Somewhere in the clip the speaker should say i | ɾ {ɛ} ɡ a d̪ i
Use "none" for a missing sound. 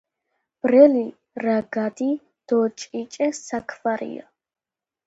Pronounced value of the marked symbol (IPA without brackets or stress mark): a